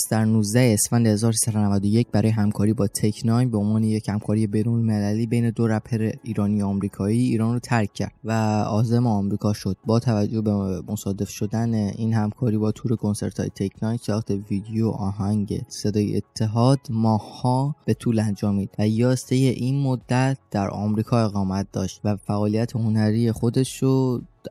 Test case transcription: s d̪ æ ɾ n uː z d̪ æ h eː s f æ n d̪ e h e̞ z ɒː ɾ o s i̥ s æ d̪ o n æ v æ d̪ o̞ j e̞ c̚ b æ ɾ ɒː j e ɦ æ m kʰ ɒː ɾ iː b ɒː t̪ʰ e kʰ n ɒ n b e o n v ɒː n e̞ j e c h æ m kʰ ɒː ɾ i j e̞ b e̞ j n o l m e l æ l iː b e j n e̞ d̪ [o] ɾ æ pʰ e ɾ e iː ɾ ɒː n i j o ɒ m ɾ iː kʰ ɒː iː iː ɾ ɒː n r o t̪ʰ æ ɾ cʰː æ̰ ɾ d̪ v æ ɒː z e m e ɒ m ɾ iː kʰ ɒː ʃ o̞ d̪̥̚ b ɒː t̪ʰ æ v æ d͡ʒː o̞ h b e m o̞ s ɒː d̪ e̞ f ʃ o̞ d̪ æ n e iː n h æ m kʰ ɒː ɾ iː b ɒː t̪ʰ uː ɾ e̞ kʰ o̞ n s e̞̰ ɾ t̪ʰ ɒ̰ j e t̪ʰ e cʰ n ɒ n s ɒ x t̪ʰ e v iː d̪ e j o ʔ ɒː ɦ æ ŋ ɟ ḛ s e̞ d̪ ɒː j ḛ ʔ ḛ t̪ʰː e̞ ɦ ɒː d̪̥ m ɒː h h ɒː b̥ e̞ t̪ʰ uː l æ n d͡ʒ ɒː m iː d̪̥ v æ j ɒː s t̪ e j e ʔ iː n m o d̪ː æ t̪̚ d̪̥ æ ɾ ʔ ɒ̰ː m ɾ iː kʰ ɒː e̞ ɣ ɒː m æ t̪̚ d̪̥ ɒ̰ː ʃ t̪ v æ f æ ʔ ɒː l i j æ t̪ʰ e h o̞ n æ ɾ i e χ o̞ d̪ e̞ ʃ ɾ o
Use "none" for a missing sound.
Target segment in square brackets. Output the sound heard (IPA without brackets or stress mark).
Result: o